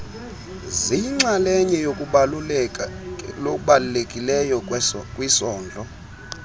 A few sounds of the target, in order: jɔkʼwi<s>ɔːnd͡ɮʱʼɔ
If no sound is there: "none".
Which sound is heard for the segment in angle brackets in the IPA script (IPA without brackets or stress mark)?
s